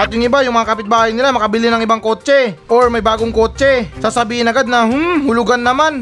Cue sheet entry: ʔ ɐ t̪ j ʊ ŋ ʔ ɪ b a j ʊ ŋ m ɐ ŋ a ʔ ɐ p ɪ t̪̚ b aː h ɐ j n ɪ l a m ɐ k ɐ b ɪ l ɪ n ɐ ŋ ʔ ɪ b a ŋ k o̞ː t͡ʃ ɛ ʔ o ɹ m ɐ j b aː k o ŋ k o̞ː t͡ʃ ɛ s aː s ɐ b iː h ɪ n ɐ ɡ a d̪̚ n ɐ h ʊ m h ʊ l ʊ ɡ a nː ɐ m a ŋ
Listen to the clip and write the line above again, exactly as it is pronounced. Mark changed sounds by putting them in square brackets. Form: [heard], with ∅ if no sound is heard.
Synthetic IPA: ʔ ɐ t̪ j ʊ ŋ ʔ ɪ b a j ʊ ŋ m ɐ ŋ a [k] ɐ p ɪ t̪̚ b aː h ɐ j n ɪ l a m ɐ k ɐ b ɪ l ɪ n ɐ ŋ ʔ ɪ b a ŋ k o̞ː t͡ʃ ɛ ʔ o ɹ m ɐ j b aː [ɡ] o ŋ k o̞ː t͡ʃ ɛ s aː s ɐ b iː h ɪ n ɐ ɡ a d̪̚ n ɐ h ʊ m h ʊ l ʊ ɡ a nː ɐ m a [n]